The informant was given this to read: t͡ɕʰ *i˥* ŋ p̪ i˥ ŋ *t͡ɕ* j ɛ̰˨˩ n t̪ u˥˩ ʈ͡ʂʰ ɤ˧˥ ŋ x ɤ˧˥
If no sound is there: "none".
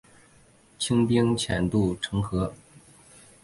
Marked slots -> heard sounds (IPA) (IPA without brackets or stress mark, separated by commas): i˥, t͡ɕʰ